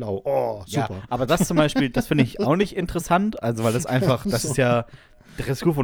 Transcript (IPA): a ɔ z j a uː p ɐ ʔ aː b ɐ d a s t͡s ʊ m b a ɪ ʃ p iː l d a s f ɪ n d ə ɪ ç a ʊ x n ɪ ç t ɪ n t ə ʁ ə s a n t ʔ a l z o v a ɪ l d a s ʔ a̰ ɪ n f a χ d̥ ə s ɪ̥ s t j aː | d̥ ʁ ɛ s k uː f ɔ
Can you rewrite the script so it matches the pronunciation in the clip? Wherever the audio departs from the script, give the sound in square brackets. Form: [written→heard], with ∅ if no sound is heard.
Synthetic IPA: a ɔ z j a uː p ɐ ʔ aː b ɐ d a s t͡s ʊ m b a ɪ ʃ p iː l d a s f ɪ n d ə ɪ ç a ʊ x n ɪ ç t ɪ n t ə ʁ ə s a n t ʔ a l z o v a ɪ l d a s ʔ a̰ ɪ n f a χ d̥ [ə→a] s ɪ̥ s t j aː | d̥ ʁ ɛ s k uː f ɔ